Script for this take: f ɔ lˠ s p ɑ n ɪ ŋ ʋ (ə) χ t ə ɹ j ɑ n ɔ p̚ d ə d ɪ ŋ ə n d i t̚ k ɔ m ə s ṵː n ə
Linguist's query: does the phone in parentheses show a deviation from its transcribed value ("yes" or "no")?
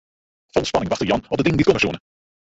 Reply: yes